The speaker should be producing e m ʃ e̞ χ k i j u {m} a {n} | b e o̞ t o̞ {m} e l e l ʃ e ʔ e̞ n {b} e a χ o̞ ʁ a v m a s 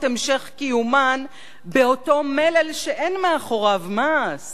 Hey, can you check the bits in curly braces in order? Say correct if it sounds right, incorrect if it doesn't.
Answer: correct, correct, correct, incorrect: m

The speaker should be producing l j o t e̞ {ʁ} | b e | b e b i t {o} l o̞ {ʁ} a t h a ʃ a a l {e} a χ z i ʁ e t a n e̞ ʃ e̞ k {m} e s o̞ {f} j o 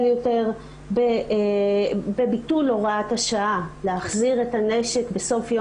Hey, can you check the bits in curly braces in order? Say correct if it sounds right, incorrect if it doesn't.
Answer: correct, incorrect: u, correct, correct, incorrect: b, correct

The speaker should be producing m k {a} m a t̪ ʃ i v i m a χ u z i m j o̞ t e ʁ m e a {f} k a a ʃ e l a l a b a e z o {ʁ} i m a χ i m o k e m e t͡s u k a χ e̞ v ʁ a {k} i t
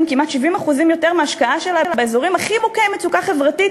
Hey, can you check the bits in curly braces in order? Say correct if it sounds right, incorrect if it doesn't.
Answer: incorrect: i, incorrect: ʃ, correct, incorrect: t

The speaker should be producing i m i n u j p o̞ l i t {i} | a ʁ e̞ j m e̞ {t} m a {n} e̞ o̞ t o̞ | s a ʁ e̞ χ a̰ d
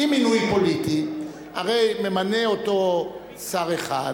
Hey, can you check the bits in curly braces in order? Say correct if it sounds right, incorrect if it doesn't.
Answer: correct, incorrect: none, correct

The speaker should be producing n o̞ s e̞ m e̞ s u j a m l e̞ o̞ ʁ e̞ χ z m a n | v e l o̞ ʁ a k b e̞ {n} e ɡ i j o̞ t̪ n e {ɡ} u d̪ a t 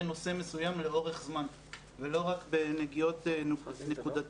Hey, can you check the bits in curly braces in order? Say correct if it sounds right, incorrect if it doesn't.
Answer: correct, incorrect: k

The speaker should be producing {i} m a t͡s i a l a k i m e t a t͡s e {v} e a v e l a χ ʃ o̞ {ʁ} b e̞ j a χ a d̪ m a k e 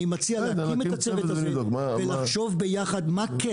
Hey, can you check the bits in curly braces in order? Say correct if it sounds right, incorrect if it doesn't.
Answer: correct, correct, incorrect: v

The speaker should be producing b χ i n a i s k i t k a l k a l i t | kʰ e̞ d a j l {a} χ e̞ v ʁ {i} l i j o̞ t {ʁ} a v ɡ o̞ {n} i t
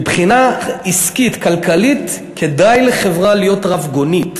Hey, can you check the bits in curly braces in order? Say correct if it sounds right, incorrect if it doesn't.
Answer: incorrect: e, incorrect: a, correct, correct

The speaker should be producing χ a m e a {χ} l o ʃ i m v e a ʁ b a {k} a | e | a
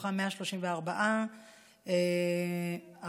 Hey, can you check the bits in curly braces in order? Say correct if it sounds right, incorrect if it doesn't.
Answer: incorrect: ʃ, incorrect: ʔ

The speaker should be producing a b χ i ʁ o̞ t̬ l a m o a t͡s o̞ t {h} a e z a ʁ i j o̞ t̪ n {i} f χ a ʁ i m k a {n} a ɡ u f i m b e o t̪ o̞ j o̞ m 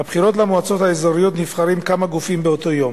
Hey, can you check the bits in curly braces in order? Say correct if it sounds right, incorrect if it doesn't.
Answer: correct, correct, incorrect: m

